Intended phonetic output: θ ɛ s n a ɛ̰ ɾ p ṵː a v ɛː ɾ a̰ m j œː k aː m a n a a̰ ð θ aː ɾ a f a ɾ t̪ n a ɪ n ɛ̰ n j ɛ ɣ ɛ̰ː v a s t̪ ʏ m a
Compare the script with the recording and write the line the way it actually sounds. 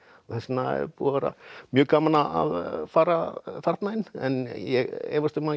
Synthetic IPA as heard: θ ɛ s n a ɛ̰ ɾ p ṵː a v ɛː ɾ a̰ m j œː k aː m a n a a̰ ð f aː ɾ a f a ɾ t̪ n a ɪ n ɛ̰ n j ɛ ɣ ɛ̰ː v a s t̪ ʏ m a